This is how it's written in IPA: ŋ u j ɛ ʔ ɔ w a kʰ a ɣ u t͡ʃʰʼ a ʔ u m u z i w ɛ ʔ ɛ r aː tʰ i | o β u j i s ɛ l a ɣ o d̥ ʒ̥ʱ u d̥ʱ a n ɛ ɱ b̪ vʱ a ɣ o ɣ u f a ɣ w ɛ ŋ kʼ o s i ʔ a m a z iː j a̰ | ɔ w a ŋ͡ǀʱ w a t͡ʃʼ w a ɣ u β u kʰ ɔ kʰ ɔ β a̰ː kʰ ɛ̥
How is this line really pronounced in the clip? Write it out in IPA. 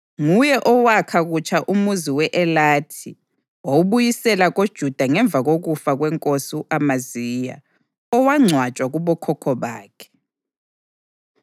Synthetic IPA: ŋ u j ɛ ʔ ɔ w a kʰ a ɣ u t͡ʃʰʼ a ʔ u m u z i w ɛ ʔ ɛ l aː tʰ i | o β u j i s ɛ l a ɣ o d̥ ʒ̥ʱ u d̥ʱ a ŋ ɛ ɱ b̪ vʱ a ɣ o ɣ u f a ɣ w ɛ ŋ kʼ o s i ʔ a m a z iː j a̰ | ɔ w a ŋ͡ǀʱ w a t͡ʃʼ w a ɣ u β ɔ kʰ ɔ kʰ ɔ β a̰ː kʰ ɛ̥